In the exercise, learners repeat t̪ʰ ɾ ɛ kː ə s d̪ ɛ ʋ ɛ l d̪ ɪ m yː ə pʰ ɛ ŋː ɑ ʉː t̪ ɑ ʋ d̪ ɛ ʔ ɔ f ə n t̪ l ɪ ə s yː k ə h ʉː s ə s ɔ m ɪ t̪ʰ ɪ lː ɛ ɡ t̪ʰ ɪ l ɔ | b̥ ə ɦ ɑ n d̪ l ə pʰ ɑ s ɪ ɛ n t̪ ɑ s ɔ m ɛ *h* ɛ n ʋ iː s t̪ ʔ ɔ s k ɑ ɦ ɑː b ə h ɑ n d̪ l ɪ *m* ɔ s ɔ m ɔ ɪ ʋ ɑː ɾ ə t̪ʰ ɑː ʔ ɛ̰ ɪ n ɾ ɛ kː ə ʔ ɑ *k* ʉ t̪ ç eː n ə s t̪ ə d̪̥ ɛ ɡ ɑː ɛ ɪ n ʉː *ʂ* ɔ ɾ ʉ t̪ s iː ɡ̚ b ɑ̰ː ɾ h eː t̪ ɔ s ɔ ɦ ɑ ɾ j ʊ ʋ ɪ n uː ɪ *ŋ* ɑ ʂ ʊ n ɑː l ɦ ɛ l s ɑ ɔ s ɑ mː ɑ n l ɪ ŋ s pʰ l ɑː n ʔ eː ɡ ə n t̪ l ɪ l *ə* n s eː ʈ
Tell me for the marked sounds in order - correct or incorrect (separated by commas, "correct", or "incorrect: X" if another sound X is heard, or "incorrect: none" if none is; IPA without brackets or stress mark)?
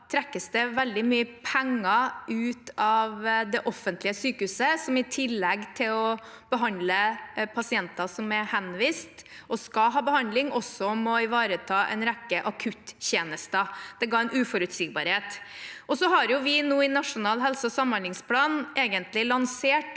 correct, incorrect: ŋ, incorrect: kʰ, incorrect: f, incorrect: n, incorrect: ɑ